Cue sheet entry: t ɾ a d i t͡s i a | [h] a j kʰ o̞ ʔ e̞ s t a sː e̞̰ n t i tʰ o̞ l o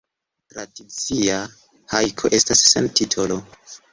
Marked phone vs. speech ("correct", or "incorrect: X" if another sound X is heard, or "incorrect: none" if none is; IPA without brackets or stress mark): correct